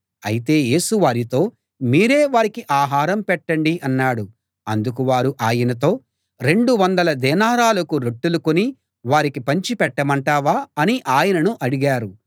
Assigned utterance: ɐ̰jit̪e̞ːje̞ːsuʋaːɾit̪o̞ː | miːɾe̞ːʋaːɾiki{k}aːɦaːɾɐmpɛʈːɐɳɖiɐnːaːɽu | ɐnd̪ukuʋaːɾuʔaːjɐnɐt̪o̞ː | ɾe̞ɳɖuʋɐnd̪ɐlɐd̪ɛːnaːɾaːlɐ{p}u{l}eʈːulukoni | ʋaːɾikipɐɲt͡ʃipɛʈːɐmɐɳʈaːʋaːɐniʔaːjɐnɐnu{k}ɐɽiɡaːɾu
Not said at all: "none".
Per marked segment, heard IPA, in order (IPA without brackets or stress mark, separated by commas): ʔ, k, ɾ, ʔ